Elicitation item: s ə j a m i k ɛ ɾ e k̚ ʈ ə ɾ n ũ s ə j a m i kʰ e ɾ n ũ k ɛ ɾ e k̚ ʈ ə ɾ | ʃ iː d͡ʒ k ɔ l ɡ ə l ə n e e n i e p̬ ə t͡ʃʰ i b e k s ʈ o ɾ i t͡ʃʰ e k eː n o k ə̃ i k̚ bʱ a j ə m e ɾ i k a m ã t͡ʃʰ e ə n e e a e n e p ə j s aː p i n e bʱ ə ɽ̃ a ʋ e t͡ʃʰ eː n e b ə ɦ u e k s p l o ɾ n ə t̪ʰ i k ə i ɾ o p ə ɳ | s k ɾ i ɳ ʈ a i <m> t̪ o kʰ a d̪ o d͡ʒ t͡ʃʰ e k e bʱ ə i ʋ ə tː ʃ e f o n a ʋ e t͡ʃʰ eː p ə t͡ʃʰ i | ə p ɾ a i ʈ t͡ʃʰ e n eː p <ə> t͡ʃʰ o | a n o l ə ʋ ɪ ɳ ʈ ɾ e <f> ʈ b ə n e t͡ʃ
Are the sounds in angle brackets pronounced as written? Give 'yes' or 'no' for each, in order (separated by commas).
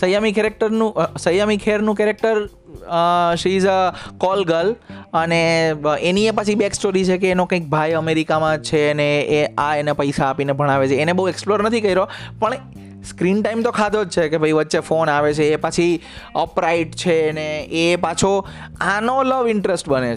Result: yes, no, no